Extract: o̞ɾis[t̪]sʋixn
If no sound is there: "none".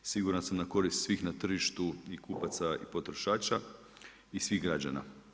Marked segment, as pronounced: t̪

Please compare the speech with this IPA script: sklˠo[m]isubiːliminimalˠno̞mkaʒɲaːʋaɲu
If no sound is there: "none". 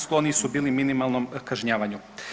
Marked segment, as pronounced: n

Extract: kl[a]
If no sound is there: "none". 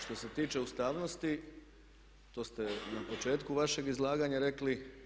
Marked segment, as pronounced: i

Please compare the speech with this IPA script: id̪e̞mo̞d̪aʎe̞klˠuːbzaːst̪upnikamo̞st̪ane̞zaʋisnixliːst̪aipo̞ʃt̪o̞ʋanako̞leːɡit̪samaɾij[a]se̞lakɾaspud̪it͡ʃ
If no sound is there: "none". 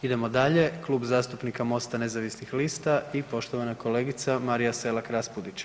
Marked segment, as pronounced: a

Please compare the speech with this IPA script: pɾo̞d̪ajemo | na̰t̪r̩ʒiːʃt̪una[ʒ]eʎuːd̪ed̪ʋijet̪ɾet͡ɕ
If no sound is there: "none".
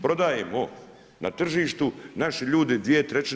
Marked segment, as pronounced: ʃ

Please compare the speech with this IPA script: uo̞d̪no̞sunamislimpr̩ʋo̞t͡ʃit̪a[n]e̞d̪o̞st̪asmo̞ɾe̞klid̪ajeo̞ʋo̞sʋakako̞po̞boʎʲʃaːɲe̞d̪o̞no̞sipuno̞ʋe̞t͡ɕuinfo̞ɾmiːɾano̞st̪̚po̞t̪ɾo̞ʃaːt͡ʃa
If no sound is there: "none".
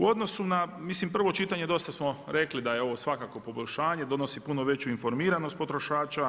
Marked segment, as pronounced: ɲ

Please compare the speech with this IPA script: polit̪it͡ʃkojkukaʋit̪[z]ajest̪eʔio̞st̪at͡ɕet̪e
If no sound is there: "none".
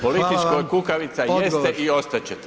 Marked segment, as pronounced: s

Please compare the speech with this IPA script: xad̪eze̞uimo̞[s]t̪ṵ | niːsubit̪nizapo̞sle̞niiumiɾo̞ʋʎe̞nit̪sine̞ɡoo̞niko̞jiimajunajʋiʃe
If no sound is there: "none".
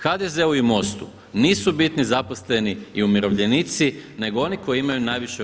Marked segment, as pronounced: s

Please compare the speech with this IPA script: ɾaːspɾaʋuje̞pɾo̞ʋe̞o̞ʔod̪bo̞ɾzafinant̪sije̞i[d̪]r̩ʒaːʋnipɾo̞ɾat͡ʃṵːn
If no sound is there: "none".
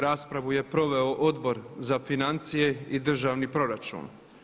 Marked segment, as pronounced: d̪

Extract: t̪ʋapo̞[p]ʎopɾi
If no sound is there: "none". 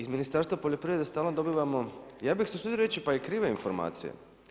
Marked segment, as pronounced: none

